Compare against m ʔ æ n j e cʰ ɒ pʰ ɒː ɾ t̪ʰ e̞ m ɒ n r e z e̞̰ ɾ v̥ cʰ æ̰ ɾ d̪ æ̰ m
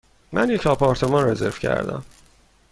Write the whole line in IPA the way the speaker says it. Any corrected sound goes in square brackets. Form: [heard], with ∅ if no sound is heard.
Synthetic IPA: m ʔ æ n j e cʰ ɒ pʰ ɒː ɾ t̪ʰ e̞ m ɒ n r e z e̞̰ ɾ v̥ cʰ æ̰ ɾ d̪ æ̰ m